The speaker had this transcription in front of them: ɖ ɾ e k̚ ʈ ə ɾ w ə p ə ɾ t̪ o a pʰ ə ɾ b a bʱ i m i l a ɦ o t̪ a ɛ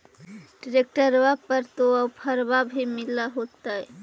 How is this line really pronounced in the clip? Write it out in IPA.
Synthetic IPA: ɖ ɾ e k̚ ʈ ə ɾ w a p ə ɾ t̪ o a pʰ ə ɾ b a bʱ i m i l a ɦ o t̪ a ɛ